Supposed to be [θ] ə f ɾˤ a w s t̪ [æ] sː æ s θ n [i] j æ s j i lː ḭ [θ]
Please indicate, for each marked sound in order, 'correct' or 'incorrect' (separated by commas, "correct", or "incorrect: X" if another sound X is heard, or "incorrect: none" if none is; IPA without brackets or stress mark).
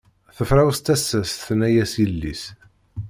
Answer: correct, correct, incorrect: æ, incorrect: s